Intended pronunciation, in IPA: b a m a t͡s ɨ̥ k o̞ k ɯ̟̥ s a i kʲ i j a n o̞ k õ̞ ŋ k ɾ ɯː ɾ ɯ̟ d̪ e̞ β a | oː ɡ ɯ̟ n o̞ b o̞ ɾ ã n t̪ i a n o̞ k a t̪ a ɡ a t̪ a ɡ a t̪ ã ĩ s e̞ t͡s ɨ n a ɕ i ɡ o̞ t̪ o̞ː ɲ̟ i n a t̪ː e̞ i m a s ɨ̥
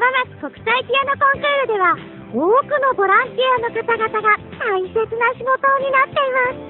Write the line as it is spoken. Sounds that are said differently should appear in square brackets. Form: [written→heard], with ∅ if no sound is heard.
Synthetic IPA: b a m a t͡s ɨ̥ k o̞ k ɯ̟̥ s a i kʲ i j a n o̞ k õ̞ ŋ k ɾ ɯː ɾ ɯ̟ d̪ e̞ β a | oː [ɡ→k] ɯ̟ n o̞ b o̞ ɾ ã n t̪ i a n o̞ k a t̪ a ɡ a t̪ a ɡ a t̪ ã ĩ s e̞ t͡s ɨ n a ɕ i ɡ o̞ t̪ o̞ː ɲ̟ i n a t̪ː e̞ i m a s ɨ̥